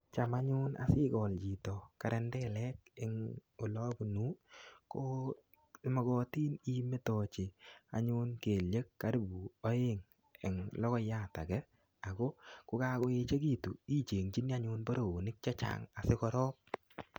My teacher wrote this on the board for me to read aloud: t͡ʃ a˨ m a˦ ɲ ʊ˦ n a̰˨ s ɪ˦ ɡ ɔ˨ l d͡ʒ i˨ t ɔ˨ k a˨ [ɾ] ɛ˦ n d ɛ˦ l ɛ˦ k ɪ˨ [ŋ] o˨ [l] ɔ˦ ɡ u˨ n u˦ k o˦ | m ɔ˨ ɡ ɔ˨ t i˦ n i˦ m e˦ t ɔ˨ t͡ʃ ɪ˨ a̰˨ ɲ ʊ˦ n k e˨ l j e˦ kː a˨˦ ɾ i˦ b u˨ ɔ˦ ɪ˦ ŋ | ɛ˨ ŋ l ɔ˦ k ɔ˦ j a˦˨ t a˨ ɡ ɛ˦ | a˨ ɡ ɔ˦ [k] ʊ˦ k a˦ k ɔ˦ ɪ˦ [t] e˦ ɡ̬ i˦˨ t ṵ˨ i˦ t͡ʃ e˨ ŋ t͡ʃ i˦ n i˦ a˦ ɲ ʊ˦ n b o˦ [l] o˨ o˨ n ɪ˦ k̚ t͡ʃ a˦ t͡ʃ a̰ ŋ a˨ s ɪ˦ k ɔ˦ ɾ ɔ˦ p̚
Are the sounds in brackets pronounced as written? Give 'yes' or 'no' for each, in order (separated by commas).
yes, yes, yes, yes, no, no